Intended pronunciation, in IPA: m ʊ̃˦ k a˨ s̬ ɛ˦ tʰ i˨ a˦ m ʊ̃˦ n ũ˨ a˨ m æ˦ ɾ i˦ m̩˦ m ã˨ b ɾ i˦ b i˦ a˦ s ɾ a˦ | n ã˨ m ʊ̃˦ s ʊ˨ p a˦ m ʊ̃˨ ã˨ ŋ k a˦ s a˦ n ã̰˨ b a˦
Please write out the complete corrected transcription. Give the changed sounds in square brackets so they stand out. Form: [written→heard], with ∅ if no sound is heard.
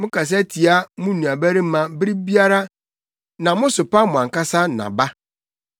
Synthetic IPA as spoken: m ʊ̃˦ k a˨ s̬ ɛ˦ tʰ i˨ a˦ m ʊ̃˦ n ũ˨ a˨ [m→b] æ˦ ɾ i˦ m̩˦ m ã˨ b ɾ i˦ b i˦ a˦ [s→∅] ɾ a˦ | n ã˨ m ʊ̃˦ s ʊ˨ p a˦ m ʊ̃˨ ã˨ ŋ k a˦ s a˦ n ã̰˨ b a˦